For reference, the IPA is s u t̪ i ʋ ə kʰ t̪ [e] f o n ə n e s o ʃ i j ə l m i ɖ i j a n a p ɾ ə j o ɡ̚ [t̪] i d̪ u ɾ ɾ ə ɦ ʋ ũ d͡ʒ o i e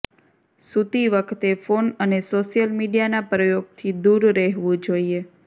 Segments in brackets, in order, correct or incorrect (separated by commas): correct, incorrect